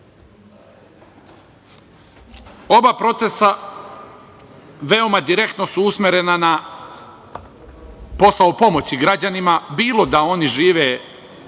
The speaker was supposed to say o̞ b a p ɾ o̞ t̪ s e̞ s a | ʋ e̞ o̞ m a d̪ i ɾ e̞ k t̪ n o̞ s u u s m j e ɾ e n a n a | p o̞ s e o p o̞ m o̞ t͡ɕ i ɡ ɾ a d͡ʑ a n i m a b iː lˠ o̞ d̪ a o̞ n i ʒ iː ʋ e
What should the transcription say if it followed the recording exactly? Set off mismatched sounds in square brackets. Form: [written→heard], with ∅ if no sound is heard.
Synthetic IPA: o̞ b a p ɾ o̞ t̪ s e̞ s a | ʋ e̞ o̞ m a d̪ i ɾ e̞ k t̪ n o̞ s u u s m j e ɾ e n a n a | p o̞ s [e→a] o p o̞ m o̞ t͡ɕ i ɡ ɾ a d͡ʑ a n i m a b iː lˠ o̞ d̪ a o̞ n i ʒ iː ʋ e